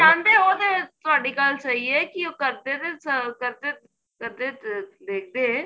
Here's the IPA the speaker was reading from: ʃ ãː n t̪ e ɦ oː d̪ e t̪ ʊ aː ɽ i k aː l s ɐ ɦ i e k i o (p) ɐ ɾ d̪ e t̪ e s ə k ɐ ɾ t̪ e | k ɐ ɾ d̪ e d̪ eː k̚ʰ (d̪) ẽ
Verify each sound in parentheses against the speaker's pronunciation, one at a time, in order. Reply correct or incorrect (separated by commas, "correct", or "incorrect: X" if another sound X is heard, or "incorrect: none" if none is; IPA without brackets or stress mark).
incorrect: k, correct